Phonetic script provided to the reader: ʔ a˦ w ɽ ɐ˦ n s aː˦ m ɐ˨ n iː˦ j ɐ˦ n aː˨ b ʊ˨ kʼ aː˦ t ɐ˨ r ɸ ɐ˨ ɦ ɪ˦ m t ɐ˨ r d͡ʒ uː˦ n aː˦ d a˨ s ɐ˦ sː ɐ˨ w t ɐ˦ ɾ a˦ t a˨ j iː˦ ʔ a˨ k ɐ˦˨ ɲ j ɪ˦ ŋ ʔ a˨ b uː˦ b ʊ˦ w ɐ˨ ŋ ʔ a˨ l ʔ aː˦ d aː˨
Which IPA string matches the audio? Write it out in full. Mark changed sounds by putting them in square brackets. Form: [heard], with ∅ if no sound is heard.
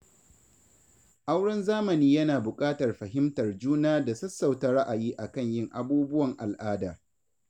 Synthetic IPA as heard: ʔ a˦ w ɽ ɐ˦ n [z] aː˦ m ɐ˨ n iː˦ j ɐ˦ n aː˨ b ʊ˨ kʼ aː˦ t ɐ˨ r ɸ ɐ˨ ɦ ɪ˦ m t ɐ˨ r d͡ʒ uː˦ n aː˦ d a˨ s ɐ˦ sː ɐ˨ w t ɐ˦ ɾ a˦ [ʔ] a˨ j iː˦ ʔ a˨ k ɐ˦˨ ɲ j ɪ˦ ŋ ʔ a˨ b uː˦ b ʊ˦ w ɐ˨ ŋ ʔ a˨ l ʔ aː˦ d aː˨